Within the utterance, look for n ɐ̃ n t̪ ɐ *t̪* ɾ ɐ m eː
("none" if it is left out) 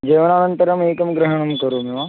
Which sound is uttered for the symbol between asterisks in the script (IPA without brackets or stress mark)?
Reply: none